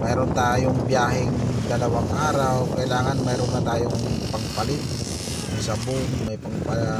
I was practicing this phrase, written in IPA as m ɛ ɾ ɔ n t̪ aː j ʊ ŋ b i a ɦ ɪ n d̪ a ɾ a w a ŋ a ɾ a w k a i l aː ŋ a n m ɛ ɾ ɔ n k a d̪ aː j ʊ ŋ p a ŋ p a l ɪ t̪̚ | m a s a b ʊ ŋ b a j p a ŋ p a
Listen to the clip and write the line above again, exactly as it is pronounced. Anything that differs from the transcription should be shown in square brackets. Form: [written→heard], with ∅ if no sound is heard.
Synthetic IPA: m ɛ ɾ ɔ n t̪ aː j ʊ ŋ b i a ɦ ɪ [n→ŋ] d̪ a [ɾ→l] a w a ŋ a ɾ a w k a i l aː ŋ a n m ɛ ɾ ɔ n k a [d̪→t̪] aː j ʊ ŋ p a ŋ p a l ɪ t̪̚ | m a s a b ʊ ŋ [b→m] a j p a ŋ p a